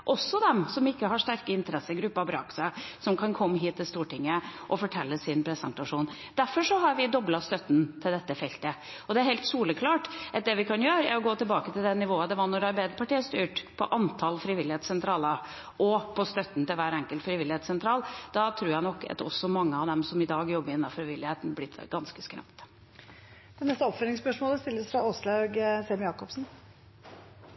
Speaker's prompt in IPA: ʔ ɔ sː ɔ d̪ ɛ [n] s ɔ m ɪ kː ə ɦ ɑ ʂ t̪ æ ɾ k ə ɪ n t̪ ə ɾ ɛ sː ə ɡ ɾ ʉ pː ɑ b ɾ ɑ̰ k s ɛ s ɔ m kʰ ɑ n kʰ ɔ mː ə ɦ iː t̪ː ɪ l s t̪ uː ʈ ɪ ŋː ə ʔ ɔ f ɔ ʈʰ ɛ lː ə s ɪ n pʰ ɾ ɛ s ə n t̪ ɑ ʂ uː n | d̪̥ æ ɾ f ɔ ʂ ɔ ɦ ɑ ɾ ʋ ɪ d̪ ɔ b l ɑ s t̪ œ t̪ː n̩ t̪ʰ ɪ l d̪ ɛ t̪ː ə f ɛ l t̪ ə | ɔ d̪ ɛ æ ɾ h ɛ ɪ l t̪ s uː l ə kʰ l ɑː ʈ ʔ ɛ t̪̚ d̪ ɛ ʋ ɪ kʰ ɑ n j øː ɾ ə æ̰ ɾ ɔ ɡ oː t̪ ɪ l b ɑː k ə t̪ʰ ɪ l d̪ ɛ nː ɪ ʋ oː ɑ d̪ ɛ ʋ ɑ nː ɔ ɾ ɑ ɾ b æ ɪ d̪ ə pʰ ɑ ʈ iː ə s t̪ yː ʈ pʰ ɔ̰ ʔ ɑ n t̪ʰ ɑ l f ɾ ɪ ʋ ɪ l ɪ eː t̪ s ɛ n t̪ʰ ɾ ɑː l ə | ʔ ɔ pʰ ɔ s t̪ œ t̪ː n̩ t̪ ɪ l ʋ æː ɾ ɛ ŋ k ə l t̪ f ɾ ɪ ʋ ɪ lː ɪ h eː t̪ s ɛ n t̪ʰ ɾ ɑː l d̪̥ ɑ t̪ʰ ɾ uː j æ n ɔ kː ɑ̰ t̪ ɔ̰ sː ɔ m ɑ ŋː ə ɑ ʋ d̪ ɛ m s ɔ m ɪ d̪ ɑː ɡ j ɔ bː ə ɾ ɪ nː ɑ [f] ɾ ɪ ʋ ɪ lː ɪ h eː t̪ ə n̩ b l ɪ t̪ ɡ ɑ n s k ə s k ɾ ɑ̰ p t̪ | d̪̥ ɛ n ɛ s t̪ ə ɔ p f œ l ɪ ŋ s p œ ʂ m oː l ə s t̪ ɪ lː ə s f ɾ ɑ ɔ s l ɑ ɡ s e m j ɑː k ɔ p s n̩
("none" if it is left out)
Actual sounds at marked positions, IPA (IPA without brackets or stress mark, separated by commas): m, f